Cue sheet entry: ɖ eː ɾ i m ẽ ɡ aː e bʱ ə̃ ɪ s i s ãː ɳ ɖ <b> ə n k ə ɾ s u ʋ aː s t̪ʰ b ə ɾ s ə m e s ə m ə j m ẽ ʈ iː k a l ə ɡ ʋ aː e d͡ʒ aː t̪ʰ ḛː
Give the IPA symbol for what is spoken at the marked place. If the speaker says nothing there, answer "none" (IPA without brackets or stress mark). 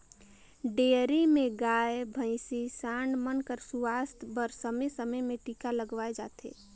m